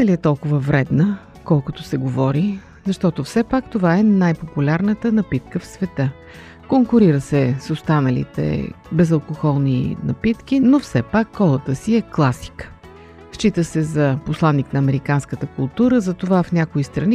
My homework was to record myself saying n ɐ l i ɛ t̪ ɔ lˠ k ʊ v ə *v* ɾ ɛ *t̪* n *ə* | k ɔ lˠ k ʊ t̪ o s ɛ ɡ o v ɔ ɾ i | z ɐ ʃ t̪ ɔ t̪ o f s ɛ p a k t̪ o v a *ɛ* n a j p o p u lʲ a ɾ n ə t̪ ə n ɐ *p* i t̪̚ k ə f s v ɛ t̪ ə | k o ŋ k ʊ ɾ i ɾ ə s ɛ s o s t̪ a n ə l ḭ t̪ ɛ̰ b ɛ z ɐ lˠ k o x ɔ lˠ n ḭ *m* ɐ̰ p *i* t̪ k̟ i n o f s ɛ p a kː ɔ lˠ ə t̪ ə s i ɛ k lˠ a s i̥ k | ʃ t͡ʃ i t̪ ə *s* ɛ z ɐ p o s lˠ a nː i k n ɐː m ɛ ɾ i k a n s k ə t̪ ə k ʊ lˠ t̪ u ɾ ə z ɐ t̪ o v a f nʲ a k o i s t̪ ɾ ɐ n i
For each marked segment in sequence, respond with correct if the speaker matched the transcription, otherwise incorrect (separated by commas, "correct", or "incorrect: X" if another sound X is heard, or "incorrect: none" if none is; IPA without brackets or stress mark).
correct, incorrect: d̪, correct, correct, correct, incorrect: n, correct, correct